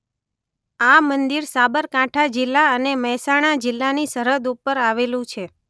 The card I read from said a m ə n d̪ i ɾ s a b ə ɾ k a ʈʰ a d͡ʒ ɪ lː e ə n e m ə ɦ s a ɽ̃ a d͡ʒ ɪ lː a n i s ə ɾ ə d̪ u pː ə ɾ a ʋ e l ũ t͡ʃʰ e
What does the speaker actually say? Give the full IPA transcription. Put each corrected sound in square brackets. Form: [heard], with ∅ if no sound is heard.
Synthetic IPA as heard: a m ə n d̪ i ɾ s a b ə ɾ k a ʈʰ a d͡ʒ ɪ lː [a] ə n e m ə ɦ s a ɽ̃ a d͡ʒ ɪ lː a n i s ə ɾ ə d̪ u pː ə ɾ a ʋ e l ũ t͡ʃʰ e

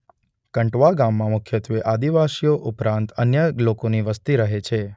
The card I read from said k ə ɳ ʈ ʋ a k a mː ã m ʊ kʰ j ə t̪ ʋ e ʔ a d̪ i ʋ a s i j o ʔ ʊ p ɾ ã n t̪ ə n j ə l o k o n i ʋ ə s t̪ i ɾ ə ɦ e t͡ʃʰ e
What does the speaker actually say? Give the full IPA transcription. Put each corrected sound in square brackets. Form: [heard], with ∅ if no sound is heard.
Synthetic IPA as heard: k ə ɳ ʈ ʋ a [ɡ] a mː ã m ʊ kʰ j ə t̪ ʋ e ʔ a d̪ i ʋ a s i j o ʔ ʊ p ɾ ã n t̪ ə n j ə l o k o n i ʋ ə s t̪ i ɾ ə ɦ e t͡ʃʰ e

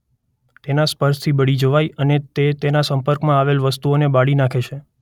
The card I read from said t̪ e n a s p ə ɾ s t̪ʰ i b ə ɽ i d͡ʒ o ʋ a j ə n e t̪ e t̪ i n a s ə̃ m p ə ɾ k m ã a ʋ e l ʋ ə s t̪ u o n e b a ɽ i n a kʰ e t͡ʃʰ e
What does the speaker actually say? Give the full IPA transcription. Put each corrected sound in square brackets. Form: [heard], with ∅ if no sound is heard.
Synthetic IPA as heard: t̪ e n a s p ə ɾ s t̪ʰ i b ə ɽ i d͡ʒ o ʋ a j ə n e t̪ e t̪ [e] n a s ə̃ m p ə ɾ k m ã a ʋ e l ʋ ə s t̪ u o n e b a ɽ i n a kʰ e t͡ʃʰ e

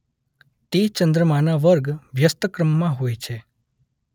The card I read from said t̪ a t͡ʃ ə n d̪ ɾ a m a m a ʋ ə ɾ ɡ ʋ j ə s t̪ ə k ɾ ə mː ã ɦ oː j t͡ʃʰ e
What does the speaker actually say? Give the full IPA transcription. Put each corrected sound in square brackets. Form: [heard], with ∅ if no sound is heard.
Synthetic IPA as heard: t̪ [e] t͡ʃ ə n d̪ ɾ [ə] m a [n] a ʋ ə ɾ ɡ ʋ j ə s t̪ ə k ɾ ə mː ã ɦ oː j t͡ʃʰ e

